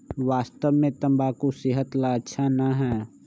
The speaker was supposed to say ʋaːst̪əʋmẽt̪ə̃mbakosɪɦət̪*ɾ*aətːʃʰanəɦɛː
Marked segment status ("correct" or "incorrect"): incorrect